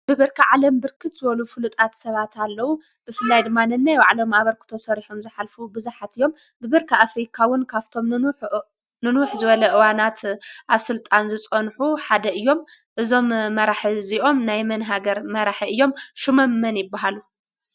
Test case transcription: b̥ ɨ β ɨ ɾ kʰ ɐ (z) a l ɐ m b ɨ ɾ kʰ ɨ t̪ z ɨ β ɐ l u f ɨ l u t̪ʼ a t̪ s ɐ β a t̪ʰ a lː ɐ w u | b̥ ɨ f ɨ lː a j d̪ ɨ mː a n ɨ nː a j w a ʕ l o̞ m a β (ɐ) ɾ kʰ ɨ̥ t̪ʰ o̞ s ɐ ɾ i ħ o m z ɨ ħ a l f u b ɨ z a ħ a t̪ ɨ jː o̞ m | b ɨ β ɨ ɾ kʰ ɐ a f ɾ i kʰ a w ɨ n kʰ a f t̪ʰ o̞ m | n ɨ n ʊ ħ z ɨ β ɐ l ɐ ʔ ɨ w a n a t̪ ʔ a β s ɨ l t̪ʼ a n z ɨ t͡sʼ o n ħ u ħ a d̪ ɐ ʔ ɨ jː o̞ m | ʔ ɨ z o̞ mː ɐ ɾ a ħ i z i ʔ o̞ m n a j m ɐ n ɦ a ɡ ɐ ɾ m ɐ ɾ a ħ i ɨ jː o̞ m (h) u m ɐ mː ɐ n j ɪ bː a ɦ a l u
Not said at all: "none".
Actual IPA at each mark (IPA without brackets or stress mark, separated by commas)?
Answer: ʕ, ɐ, ʃ